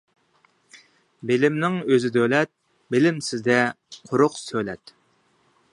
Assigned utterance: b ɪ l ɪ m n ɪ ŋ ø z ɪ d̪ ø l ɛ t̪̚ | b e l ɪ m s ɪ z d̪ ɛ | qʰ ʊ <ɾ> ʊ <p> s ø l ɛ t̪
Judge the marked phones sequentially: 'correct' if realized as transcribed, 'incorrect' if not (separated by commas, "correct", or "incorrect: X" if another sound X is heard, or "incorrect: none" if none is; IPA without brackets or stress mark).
correct, incorrect: q